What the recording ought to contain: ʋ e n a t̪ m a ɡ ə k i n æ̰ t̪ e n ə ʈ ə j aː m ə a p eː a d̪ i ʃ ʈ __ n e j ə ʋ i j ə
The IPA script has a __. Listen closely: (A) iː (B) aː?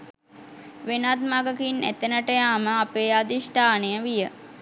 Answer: B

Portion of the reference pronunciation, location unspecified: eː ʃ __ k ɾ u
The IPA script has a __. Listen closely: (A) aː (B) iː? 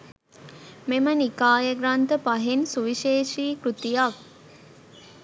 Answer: B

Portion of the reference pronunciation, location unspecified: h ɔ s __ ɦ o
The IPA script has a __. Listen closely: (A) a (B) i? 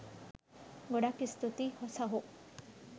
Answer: A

